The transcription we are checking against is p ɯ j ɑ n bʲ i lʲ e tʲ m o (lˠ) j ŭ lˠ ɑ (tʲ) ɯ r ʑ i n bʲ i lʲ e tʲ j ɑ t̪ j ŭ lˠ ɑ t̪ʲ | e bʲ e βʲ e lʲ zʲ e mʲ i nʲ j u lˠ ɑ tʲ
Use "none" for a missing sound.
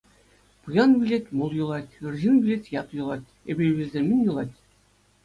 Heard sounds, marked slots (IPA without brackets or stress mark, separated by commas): lˠ, tʲ